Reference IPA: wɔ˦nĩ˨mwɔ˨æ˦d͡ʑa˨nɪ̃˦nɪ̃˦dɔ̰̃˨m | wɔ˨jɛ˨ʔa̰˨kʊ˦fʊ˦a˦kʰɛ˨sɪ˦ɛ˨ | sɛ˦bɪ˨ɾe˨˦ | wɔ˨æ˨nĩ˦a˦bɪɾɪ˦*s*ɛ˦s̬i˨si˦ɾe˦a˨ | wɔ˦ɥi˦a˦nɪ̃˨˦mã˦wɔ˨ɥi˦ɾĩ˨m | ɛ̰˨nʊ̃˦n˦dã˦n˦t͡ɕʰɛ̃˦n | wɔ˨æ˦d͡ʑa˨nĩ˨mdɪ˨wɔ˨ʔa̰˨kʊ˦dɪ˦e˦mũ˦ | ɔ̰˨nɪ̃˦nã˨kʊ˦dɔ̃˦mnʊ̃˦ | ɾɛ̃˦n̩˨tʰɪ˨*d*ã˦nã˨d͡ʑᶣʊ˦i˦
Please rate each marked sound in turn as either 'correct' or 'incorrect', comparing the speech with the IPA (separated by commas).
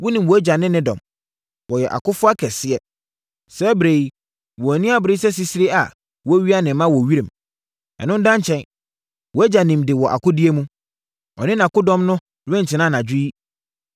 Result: correct, incorrect